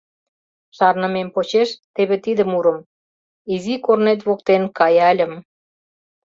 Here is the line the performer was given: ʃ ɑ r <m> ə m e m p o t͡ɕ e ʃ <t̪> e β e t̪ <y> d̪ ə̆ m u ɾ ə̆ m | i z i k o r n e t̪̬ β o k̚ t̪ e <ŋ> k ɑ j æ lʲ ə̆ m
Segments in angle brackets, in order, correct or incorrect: incorrect: n, correct, incorrect: i, incorrect: n

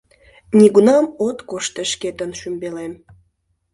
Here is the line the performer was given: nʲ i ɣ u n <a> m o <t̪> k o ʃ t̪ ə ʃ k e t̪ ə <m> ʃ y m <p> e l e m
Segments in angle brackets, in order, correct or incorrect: incorrect: ɑ, correct, incorrect: n, incorrect: b

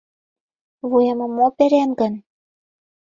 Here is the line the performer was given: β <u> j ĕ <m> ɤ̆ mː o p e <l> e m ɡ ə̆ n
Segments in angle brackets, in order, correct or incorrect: correct, correct, incorrect: ɾ

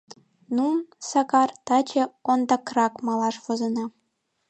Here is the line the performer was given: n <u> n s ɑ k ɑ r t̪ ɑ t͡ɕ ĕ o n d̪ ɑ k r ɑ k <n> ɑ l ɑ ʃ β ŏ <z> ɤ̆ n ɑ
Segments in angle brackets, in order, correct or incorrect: correct, incorrect: m, correct

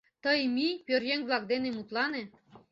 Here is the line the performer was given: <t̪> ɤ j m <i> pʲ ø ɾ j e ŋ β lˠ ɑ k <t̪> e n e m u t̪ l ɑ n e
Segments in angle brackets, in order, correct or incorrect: correct, correct, incorrect: d̪

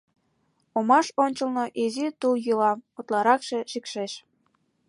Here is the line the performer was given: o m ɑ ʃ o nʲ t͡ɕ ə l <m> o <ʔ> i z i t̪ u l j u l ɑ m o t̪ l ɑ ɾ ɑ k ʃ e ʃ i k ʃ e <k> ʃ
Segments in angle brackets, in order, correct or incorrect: incorrect: n, correct, incorrect: none

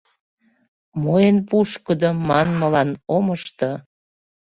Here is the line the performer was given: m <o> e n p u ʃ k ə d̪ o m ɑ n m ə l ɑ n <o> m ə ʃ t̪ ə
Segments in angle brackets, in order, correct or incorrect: correct, correct

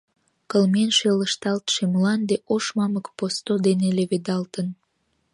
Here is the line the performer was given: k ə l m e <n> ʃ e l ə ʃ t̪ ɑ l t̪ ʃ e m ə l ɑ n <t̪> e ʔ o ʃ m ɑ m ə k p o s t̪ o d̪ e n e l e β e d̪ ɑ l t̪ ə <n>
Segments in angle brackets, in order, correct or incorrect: correct, incorrect: d̪, correct

